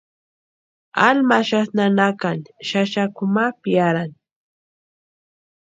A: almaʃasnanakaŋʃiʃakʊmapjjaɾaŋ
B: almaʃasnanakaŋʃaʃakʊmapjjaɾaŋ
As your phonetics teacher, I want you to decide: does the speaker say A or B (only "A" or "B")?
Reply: B